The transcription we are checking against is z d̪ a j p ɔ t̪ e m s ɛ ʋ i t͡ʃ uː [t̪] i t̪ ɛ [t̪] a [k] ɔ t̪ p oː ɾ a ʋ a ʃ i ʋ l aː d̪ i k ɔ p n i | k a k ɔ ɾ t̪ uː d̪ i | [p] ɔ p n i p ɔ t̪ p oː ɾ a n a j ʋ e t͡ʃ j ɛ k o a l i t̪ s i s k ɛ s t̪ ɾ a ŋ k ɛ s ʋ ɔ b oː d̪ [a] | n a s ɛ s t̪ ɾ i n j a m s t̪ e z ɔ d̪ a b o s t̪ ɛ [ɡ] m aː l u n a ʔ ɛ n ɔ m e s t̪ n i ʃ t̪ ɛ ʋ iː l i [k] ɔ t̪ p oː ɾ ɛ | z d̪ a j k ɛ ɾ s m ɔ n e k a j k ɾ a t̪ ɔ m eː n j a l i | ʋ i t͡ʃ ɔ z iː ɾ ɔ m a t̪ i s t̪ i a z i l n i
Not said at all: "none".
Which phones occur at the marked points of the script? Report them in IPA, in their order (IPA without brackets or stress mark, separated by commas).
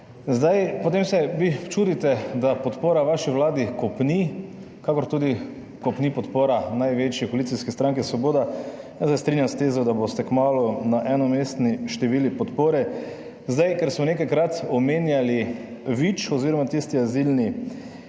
d̪, d̪, p, k, a, k, p